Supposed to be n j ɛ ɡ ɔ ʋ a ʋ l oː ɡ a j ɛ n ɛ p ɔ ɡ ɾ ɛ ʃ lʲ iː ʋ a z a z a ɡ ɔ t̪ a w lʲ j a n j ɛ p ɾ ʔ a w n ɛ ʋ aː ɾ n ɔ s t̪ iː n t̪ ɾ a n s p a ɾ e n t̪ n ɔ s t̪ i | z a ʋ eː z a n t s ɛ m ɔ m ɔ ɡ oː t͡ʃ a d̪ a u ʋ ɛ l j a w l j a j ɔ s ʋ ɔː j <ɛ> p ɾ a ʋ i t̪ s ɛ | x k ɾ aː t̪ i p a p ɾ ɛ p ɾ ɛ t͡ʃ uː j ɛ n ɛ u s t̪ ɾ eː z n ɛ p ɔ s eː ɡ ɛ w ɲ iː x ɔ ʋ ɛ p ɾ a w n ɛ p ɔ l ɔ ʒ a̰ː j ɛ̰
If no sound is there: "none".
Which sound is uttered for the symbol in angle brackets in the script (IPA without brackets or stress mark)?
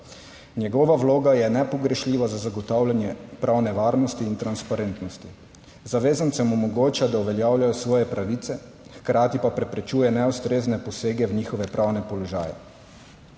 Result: ɛ